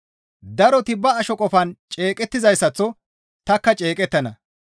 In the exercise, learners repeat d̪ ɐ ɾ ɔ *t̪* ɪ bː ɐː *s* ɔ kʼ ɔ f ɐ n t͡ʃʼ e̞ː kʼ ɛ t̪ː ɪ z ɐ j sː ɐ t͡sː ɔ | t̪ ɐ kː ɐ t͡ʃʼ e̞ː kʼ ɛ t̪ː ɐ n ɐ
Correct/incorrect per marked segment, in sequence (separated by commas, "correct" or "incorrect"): correct, incorrect